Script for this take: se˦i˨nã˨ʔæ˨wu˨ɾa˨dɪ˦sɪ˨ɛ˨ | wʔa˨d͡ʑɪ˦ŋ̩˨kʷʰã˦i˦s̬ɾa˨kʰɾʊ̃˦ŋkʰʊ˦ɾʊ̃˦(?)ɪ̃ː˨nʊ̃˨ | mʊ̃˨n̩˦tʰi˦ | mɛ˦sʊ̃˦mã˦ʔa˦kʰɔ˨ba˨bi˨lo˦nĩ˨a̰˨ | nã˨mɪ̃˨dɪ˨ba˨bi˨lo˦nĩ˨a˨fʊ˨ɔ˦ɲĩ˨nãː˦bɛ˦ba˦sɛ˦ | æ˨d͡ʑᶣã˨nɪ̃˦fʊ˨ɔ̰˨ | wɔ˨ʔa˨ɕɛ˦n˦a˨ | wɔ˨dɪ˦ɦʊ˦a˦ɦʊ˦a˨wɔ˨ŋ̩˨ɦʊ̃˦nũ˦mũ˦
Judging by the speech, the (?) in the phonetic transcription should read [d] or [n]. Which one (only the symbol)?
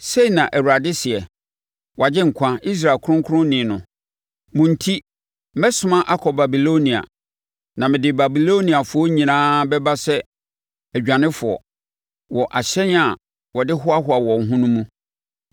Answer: n